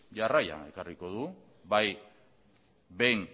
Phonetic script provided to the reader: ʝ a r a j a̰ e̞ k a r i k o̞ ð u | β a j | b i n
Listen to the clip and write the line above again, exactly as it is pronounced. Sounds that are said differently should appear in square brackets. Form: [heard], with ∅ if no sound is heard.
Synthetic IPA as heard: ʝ a r a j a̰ e̞ k a r i k o̞ ð u | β a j | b [e] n